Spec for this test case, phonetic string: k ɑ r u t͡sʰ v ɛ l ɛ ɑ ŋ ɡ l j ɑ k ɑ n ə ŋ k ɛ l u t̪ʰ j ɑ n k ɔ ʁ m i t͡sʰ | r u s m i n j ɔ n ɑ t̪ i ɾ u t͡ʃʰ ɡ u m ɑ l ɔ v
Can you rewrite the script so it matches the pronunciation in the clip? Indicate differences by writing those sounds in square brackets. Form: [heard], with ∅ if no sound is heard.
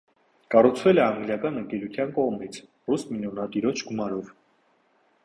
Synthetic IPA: k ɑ r u t͡sʰ v ɛ l ɛ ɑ ŋ ɡ l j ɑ k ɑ n ə ŋ k ɛ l u t̪ʰ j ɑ n k ɔ ʁ m i t͡sʰ | r u s m i n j ɔ n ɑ t̪ i ɾ [ɔ] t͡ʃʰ ɡ u m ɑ [ɾ] ɔ v